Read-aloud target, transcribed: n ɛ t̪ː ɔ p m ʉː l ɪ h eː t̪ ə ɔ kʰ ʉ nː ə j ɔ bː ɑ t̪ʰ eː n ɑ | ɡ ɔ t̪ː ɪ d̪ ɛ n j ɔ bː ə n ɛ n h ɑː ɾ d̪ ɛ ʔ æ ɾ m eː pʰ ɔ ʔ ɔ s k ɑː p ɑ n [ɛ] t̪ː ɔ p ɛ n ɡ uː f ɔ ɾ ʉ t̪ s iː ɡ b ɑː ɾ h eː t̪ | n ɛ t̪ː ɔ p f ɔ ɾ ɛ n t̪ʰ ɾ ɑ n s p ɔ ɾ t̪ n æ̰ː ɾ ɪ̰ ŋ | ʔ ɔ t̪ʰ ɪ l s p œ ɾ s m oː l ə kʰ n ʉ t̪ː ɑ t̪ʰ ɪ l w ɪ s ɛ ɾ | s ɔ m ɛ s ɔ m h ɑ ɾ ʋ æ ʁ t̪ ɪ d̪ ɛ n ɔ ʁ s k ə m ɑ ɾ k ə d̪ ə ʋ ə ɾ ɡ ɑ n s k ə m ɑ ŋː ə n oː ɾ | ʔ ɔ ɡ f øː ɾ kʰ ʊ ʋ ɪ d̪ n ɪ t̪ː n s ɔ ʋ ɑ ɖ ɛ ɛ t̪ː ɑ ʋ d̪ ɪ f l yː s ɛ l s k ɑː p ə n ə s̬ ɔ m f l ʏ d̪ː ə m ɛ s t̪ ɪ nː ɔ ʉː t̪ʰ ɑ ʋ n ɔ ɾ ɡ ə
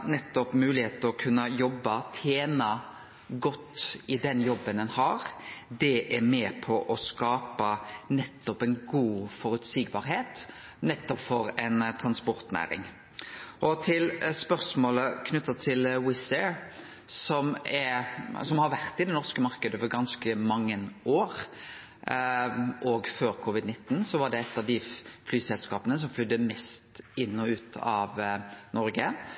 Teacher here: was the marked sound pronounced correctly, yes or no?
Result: yes